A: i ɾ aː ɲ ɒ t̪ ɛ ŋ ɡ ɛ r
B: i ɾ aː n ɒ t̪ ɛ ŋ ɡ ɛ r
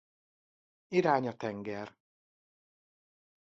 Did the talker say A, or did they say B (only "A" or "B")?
A